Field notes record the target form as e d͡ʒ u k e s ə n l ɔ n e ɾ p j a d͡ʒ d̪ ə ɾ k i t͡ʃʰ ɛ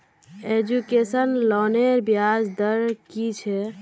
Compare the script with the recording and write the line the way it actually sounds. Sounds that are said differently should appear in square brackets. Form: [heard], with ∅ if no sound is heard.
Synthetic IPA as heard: e d͡ʒ u k e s ə n l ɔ n e ɾ [b] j a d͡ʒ d̪ ə ɾ k i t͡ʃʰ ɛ